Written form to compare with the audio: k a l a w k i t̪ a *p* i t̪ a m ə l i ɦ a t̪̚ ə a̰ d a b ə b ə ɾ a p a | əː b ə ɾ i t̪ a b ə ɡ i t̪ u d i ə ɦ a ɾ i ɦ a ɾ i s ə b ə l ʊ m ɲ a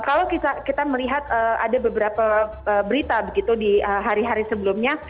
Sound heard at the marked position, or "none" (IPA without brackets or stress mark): k